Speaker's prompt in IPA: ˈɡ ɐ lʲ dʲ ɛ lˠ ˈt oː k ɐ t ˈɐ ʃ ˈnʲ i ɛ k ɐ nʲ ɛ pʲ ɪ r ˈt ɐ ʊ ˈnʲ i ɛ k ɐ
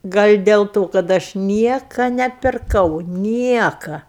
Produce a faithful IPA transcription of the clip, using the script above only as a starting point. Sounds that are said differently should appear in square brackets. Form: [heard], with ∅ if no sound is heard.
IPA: ˈɡ ɐ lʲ dʲ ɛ lˠ ˈt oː k ɐ t ˈɐ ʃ ˈnʲ i ɛ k ɐ nʲ ɛ pʲ ɪ r [ˈk] ɐ ʊ ˈnʲ i ɛ k ɐ